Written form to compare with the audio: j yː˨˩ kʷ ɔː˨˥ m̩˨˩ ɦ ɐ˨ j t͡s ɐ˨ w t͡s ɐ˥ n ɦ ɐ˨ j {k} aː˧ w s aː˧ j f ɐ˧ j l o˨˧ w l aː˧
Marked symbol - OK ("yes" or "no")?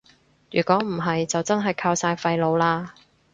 no